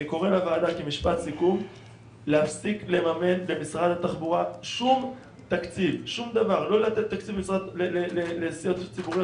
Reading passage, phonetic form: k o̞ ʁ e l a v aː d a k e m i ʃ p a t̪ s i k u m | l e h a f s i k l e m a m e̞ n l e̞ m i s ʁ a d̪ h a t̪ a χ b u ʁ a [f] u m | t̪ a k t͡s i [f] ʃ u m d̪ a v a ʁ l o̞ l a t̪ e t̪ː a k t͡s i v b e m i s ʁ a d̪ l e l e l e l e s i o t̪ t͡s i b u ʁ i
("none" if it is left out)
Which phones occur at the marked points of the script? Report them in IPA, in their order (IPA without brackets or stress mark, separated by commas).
ʃ, v